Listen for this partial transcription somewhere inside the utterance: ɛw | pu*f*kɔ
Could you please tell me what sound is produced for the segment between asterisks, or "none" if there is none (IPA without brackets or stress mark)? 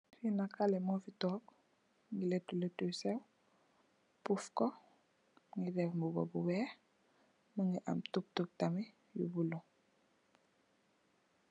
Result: f